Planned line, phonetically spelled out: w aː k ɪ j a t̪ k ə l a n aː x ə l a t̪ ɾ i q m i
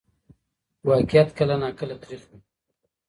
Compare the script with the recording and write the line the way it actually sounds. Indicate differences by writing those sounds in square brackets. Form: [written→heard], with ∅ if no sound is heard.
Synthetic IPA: w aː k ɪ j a t̪ k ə l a n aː [x→k] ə l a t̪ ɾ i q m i